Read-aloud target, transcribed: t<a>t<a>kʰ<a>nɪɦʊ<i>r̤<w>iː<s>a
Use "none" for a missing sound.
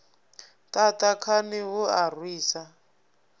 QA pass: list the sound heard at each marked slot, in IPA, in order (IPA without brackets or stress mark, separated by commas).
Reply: a, a, a, a, w, s